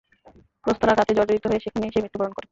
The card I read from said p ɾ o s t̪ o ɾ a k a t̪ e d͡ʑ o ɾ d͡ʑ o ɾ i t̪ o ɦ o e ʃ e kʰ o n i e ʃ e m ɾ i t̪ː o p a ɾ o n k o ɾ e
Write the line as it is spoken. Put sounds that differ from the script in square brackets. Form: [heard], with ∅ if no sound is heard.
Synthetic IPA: p ɾ o s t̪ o ɾ a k a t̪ e d͡ʑ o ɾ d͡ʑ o ɾ i t̪ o ɦ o e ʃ e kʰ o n i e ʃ e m ɾ i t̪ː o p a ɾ o n k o ɾ e